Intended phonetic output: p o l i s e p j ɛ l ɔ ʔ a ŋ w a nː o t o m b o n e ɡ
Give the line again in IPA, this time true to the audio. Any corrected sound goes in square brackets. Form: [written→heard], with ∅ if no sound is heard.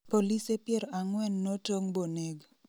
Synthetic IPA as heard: p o l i s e p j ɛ [l→ɾ] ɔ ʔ a ŋ w [a→ɛ] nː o t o [m→ŋ] b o n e ɡ